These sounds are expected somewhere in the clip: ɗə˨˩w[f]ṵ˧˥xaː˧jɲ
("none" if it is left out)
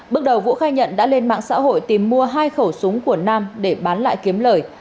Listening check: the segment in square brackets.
v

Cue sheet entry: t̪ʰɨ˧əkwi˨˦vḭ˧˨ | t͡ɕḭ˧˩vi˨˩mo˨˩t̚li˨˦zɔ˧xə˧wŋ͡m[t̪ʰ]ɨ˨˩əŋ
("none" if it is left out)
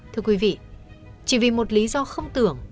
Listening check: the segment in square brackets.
t̪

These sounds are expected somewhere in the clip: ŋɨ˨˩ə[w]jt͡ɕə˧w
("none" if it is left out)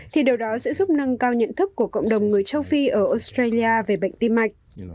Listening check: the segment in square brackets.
none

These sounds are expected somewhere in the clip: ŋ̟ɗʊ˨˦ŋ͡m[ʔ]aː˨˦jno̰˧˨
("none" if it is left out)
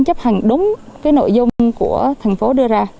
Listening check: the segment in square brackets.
k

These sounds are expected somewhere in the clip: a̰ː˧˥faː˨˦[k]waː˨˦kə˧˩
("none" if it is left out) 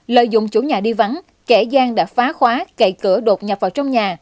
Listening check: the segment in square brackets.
x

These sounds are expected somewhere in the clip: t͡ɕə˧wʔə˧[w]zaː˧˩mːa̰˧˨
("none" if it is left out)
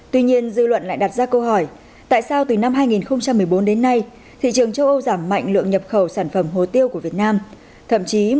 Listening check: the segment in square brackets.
w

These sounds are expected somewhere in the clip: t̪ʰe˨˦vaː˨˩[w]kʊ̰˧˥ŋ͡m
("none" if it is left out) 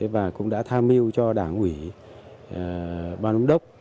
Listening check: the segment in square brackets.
none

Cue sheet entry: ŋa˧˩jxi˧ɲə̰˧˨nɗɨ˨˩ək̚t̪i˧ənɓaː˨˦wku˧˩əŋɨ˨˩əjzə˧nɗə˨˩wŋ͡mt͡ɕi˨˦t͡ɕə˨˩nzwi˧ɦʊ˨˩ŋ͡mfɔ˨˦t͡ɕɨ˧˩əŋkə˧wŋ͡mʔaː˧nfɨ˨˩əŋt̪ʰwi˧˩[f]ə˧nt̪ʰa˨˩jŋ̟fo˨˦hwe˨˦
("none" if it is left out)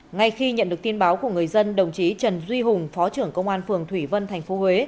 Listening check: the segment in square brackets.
v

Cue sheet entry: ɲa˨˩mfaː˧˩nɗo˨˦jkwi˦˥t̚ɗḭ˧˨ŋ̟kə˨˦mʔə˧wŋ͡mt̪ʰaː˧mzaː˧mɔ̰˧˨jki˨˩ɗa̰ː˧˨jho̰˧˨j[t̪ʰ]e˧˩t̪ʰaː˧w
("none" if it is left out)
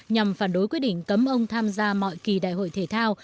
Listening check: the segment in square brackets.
t̪ʰ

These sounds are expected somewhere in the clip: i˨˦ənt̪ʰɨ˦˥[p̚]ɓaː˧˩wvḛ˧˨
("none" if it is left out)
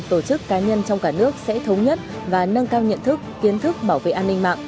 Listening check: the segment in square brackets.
k̚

